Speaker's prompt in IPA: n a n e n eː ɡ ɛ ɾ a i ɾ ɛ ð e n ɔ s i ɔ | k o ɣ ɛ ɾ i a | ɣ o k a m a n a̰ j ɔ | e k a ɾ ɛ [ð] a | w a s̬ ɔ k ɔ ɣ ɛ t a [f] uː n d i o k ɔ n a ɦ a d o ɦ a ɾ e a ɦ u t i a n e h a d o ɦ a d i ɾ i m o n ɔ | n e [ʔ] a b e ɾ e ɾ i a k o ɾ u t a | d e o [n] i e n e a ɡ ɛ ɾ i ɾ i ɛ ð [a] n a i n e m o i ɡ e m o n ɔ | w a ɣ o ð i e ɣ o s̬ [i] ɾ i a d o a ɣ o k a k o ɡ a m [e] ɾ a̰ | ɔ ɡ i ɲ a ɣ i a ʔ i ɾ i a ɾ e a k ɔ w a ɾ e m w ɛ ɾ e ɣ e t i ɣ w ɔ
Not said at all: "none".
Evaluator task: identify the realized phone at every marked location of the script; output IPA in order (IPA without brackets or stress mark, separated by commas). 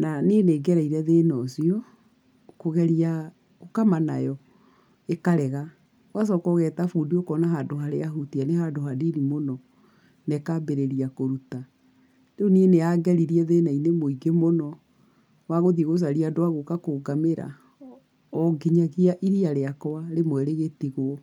ɣ, f, k, n, e, a, e